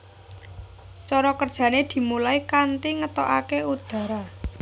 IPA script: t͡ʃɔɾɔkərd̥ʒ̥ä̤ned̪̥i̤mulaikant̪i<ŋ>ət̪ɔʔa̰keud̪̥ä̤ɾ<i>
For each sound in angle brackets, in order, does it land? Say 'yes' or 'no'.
yes, no

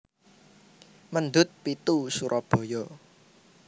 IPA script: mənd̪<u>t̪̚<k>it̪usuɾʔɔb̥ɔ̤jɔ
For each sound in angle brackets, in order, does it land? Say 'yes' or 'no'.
no, no

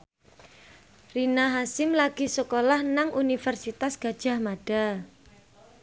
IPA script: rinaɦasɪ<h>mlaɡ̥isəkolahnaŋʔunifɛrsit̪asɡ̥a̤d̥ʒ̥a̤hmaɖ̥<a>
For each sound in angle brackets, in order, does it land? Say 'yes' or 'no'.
no, yes

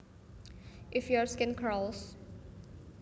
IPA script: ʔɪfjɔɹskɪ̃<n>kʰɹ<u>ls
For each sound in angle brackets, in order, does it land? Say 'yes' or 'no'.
yes, no

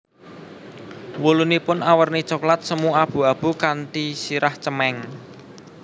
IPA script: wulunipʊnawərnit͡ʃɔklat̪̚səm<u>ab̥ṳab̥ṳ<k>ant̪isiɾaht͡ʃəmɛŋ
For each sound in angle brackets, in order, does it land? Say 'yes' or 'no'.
yes, yes

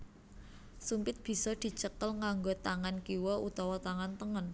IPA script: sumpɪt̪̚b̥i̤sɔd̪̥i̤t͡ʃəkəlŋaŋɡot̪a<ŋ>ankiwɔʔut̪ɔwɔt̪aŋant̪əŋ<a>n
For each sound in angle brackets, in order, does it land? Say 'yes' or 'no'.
yes, no

